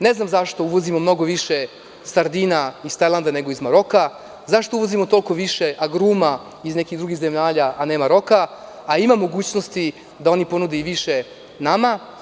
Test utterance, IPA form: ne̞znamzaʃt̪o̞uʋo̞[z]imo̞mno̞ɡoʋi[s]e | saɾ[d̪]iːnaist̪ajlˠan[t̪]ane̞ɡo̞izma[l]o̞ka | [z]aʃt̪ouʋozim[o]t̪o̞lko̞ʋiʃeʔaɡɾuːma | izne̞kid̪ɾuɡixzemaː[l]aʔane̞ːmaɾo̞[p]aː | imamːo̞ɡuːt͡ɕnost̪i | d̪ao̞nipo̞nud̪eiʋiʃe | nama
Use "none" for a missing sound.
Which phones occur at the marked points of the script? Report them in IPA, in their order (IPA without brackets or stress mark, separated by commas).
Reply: z, ʃ, d̪, d̪, ɾ, z, o, ʎ, k